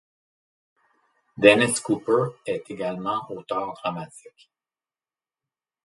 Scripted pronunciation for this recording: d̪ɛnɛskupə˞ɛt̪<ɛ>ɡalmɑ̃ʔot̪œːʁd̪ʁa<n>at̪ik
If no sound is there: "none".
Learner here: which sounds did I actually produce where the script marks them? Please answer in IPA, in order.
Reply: e, m

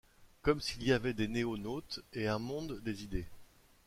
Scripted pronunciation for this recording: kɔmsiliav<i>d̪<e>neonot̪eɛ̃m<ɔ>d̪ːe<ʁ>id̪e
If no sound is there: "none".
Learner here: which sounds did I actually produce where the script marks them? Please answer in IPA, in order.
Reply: ɛ, e, ɔ̃, z

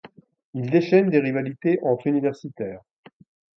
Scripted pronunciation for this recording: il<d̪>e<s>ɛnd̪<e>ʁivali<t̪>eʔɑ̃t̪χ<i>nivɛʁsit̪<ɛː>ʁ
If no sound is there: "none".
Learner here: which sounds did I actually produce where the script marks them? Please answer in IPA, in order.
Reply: d̪, ʃ, e, t̪, y, ɛː

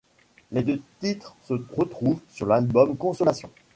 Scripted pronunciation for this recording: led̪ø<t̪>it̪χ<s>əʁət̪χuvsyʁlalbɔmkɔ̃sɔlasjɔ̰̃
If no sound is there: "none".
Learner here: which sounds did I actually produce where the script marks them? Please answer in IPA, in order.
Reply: t̪, s

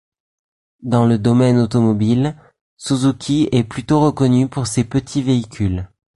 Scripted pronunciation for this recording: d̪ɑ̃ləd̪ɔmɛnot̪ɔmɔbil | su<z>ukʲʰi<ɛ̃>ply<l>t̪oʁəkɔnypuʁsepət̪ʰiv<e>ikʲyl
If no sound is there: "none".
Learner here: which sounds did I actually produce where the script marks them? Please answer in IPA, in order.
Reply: z, ɛ, none, e

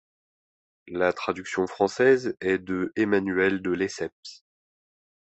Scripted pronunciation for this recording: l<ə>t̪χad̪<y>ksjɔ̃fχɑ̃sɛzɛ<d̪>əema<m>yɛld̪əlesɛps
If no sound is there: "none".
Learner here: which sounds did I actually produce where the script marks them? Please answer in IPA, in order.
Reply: a, y, d̪, n

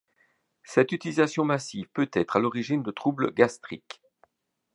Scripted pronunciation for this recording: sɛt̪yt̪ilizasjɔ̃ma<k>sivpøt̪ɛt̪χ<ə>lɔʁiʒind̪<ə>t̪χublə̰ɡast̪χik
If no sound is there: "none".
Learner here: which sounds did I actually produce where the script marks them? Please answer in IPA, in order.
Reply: none, a, ə

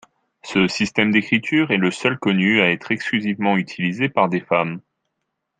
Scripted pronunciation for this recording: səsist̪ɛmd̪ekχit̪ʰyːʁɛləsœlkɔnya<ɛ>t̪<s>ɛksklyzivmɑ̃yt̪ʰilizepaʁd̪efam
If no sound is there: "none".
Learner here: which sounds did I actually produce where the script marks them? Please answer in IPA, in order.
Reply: ɛ, χ

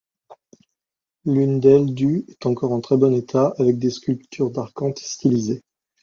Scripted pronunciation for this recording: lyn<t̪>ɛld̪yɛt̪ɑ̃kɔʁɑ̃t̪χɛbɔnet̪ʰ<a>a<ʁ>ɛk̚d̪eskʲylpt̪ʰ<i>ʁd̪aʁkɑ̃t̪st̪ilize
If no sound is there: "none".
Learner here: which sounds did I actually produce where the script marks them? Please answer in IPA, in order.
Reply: d̪, a, v, y

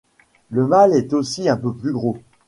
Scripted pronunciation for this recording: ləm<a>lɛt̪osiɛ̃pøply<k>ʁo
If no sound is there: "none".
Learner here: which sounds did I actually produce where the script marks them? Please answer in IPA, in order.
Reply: a, ɡ

